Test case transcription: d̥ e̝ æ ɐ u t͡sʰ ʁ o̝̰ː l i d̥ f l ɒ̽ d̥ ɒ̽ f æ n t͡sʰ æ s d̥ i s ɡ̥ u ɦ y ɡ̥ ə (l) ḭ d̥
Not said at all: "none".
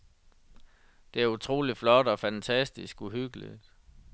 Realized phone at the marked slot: l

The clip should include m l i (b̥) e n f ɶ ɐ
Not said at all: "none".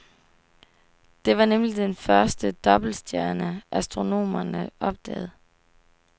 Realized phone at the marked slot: d̥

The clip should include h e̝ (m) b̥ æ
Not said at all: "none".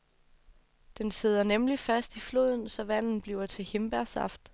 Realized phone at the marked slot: m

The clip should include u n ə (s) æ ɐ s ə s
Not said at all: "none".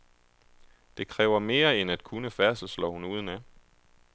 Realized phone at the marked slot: f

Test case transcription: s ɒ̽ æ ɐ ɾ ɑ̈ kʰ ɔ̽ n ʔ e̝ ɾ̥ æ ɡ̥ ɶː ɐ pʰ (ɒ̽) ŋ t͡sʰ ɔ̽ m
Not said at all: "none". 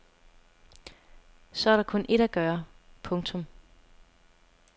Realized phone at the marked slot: ɔ̽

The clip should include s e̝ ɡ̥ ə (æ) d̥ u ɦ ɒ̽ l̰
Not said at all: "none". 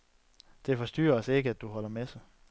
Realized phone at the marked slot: æ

